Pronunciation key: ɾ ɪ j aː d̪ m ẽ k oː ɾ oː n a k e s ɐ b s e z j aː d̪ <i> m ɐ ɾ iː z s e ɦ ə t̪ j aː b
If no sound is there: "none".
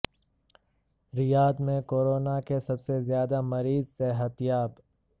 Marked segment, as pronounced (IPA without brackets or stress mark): a